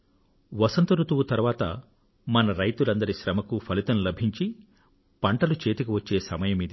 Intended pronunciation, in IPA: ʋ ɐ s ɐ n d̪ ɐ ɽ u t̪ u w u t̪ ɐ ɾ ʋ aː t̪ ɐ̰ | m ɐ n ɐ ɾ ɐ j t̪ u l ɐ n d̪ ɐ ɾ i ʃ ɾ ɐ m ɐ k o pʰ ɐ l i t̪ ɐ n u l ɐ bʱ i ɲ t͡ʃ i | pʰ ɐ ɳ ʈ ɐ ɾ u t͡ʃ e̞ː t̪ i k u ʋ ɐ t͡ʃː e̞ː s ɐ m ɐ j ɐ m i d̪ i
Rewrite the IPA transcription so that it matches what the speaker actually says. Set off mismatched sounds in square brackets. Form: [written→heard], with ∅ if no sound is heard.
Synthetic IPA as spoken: ʋ ɐ s ɐ n [d̪→t̪] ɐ [ɽ→ɾ] u t̪ u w u t̪ ɐ ɾ ʋ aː t̪ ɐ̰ | m ɐ n ɐ ɾ ɐ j t̪ u l ɐ n d̪ ɐ ɾ i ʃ ɾ ɐ m ɐ k [o→u] pʰ ɐ l i t̪ ɐ n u l ɐ bʱ i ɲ t͡ʃ i | [pʰ→p] ɐ ɳ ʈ ɐ [ɾ→l] u t͡ʃ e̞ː t̪ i k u ʋ ɐ t͡ʃː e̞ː s ɐ m ɐ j ɐ m i d̪ i